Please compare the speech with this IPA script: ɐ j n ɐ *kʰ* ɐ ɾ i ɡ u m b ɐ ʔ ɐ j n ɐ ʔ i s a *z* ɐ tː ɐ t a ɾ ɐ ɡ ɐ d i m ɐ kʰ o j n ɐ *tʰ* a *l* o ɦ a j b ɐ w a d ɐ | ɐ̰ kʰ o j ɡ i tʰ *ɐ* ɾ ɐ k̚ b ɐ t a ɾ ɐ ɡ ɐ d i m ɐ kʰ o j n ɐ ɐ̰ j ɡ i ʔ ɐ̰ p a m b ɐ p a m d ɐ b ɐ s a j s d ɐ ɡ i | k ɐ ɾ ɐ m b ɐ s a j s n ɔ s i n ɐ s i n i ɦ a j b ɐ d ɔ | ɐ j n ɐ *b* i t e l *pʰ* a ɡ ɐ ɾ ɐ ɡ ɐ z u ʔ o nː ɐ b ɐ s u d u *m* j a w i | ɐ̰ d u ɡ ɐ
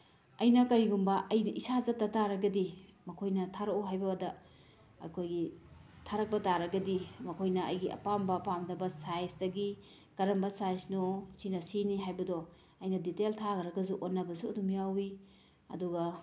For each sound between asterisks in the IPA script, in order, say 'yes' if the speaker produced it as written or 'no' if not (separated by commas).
no, yes, yes, no, no, no, no, yes